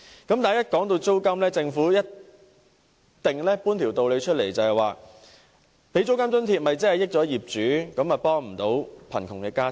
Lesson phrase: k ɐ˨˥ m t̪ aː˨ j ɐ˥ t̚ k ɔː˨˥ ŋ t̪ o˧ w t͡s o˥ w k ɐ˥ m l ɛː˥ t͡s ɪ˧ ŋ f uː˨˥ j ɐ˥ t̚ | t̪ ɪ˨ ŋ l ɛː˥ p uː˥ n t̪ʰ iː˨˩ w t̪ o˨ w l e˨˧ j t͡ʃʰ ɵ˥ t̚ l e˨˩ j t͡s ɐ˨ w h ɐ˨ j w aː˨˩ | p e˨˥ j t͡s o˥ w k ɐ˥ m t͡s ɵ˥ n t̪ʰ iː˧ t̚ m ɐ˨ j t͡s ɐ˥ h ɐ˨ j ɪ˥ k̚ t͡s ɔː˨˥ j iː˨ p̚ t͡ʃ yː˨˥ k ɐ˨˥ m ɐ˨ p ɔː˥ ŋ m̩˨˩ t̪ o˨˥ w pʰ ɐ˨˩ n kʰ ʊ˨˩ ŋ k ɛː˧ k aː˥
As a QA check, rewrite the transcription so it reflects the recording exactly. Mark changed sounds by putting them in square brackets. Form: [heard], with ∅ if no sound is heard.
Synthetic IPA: k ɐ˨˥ m t̪ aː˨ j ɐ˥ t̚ k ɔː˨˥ ŋ t̪ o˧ w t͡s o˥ w k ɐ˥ m l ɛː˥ t͡s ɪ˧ ŋ f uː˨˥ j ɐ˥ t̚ | t̪ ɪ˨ ŋ l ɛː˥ p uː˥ n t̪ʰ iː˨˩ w t̪ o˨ w l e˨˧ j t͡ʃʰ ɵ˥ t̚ l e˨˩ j t͡s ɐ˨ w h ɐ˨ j w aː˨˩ | p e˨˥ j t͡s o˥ w k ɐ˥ m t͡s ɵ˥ n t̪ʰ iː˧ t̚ m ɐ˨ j t͡s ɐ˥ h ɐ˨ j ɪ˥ k̚ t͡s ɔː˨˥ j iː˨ p̚ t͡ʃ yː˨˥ k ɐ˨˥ m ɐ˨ p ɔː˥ ŋ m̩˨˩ t̪ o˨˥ w pʰ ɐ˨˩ n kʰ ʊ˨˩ ŋ k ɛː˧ k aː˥

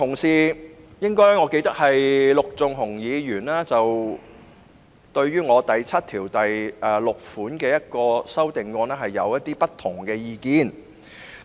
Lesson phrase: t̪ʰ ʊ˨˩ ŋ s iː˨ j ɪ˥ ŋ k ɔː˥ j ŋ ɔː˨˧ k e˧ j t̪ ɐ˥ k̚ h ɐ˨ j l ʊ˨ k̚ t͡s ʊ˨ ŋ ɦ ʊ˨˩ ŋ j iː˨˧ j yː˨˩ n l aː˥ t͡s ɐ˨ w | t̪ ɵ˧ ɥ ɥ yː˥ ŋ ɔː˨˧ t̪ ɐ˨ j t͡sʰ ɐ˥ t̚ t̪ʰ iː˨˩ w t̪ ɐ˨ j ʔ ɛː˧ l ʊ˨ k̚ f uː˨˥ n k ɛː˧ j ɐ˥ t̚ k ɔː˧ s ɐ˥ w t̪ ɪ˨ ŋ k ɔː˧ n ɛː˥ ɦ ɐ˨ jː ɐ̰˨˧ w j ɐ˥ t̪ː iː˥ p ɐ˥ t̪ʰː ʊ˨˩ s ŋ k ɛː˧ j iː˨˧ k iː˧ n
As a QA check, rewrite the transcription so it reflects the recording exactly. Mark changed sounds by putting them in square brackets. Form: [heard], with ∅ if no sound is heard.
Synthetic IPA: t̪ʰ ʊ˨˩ ŋ s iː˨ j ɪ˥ ŋ k ɔː˥ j ŋ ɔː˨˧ k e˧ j t̪ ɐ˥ k̚ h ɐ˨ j l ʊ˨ k̚ t͡s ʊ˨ ŋ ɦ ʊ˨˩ ŋ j iː˨˧ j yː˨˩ n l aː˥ t͡s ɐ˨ w | t̪ ɵ˧ ɥ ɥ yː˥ ŋ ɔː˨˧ t̪ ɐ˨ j t͡sʰ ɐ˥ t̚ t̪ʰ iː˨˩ w t̪ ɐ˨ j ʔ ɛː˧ l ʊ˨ k̚ f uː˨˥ n k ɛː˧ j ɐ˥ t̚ k ɔː˧ s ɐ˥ w t̪ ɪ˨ ŋ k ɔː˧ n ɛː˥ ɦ ɐ˨ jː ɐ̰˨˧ w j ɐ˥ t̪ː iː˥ p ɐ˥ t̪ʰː ʊ˨˩ [∅] ŋ k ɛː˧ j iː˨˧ k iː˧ n

